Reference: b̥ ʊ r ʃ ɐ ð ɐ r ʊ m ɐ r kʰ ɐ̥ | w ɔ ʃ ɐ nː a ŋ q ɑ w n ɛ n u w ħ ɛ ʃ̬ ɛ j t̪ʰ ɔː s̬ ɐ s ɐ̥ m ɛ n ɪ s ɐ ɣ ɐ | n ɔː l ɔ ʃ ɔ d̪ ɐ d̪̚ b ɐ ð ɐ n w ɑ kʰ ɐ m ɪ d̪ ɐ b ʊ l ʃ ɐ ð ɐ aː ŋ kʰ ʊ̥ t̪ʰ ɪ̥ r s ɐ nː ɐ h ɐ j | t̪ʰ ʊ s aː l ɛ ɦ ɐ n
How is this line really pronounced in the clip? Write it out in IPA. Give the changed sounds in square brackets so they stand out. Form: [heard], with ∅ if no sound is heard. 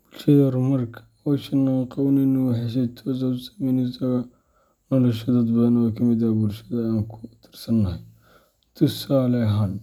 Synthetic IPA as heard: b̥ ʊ [l] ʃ ɐ ð ɐ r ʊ m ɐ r kʰ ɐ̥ | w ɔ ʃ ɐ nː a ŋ q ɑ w n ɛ n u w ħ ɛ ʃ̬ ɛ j t̪ʰ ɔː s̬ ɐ s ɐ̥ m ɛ n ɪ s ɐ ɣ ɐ | n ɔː l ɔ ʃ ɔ d̪ ɐ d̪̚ b ɐ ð ɐ n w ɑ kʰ ɐ m ɪ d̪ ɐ b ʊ l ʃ ɐ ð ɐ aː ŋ kʰ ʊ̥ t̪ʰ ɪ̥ r s ɐ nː ɐ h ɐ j | t̪ʰ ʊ s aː l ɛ ɦ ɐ n